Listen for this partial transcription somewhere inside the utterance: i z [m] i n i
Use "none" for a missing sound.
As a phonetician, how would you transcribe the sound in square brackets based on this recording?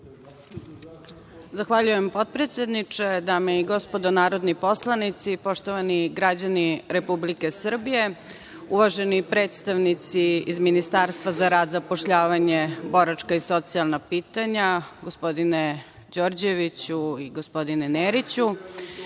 m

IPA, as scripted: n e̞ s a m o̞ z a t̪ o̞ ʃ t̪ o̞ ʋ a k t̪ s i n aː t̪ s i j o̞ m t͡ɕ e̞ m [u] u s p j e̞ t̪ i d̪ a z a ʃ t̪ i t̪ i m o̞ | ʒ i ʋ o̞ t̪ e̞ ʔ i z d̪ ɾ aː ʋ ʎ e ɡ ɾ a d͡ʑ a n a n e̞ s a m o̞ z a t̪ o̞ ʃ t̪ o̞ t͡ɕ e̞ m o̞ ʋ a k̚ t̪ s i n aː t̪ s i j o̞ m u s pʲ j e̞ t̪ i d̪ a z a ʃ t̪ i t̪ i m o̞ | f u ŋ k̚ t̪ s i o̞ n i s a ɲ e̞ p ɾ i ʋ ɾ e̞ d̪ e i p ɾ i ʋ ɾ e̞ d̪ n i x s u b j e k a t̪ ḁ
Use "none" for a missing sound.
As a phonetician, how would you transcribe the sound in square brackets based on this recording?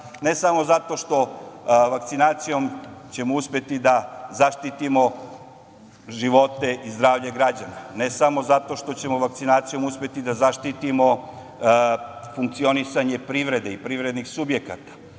o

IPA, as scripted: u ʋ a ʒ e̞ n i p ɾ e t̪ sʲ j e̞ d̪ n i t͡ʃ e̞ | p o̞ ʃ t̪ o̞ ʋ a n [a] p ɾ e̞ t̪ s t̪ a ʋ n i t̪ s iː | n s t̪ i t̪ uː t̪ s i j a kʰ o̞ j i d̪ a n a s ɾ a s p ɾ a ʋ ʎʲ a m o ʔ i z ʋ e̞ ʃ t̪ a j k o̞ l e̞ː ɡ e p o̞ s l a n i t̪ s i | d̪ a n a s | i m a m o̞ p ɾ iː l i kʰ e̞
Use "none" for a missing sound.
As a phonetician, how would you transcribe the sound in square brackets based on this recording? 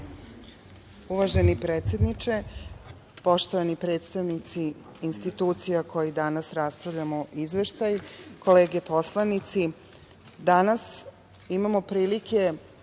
i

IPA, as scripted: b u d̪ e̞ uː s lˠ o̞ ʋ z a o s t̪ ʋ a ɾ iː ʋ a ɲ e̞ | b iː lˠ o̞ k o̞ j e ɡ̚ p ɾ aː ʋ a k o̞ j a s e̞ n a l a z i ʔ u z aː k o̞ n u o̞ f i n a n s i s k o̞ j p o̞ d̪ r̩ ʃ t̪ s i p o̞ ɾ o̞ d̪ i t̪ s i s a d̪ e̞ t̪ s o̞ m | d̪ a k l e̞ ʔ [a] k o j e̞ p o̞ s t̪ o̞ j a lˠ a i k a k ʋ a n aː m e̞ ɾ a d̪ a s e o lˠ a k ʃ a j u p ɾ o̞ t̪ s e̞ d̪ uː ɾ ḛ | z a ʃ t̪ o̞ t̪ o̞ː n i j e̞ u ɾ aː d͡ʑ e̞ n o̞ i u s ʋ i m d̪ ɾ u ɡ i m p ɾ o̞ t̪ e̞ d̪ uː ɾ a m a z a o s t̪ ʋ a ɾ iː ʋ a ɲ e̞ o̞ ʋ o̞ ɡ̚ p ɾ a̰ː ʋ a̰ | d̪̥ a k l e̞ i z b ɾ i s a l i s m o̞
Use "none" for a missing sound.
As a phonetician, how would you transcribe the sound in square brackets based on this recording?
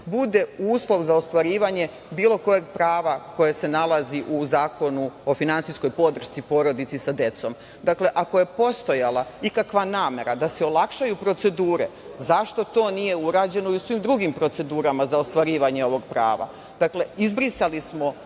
a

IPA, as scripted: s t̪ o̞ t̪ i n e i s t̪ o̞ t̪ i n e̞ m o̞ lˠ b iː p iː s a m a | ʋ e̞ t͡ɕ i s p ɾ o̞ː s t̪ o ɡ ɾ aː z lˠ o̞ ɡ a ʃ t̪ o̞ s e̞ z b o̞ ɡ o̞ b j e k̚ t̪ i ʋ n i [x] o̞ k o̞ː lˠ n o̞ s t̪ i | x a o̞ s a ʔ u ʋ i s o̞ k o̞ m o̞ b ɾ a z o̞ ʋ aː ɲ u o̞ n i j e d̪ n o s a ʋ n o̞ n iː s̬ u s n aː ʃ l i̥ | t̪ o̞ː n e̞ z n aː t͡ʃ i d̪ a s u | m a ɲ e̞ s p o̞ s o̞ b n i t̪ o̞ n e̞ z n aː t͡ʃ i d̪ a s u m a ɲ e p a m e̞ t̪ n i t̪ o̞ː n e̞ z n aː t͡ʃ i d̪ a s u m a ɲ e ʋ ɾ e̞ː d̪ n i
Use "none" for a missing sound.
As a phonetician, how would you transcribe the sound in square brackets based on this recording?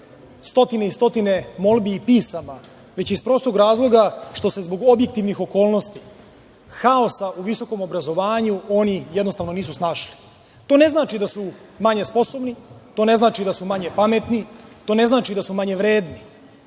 x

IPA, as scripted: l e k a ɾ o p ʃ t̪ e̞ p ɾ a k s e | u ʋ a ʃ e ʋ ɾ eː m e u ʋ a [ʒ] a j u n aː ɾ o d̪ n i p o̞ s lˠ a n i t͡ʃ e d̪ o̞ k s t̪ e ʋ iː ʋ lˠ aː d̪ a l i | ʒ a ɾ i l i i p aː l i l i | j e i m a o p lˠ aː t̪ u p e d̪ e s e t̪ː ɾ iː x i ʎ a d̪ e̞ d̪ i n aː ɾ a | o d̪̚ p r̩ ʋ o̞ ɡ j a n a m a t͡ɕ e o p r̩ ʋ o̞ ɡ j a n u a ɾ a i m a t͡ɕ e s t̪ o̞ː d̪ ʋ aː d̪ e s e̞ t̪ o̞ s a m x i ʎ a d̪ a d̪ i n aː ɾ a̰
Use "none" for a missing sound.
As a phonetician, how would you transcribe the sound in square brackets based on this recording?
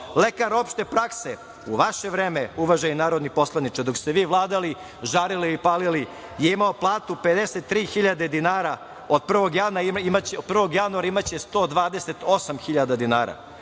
ʒ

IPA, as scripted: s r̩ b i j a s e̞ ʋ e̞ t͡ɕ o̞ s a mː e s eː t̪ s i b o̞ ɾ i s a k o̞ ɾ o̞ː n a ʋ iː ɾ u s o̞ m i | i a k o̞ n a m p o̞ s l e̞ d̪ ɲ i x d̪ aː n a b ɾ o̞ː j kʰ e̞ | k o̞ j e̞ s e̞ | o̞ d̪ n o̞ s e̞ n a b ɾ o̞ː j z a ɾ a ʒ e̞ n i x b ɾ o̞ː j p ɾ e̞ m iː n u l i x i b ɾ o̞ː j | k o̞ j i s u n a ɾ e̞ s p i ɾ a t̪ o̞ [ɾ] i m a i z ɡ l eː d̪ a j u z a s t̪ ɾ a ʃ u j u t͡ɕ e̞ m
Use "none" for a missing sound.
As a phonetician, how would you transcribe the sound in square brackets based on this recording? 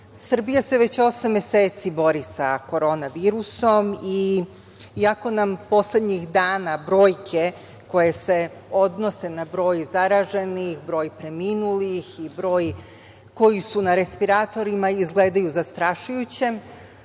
ɾ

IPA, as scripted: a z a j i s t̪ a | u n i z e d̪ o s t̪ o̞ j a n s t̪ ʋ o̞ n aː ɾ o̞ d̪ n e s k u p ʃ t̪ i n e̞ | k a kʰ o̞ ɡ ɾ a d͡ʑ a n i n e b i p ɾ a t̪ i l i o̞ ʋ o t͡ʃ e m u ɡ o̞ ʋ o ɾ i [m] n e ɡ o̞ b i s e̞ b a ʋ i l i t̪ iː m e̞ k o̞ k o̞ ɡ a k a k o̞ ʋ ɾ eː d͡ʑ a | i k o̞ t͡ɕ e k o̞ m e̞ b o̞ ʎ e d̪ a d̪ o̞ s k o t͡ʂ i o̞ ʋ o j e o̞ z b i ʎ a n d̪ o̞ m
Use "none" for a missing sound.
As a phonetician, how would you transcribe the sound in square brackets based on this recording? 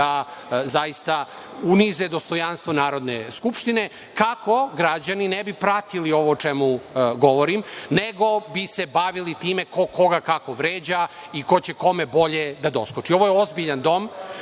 m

